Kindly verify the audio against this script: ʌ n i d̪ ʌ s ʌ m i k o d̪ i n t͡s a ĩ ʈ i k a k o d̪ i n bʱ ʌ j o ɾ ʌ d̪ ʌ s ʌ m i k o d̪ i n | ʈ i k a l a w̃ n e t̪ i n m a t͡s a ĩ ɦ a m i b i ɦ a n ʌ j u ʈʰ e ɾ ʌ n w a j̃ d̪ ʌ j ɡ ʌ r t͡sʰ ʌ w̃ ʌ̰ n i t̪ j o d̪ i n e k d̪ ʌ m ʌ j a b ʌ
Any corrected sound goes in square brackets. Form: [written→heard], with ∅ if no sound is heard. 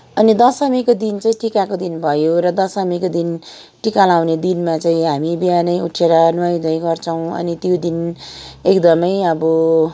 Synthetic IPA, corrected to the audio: ʌ n i d̪ ʌ s ʌ m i k o d̪ i n t͡s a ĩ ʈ i k a k o d̪ i n bʱ ʌ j o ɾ ʌ d̪ ʌ s ʌ m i k o d̪ i n | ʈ i k a l a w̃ n e [t̪→d̪] i n m a t͡s a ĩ ɦ a m i b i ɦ a n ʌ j u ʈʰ e ɾ ʌ n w a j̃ d̪ ʌ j ɡ ʌ r t͡sʰ ʌ w̃ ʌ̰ n i t̪ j o d̪ i n e k d̪ ʌ m ʌ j [a→ʌ] b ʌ